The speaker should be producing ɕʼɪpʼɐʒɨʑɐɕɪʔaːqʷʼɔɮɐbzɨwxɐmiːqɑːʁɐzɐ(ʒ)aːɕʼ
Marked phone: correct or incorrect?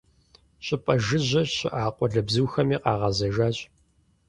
correct